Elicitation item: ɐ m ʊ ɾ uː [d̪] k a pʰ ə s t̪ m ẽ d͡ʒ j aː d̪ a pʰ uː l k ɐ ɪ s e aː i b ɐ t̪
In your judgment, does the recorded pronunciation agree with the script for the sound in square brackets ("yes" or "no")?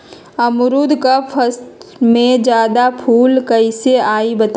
yes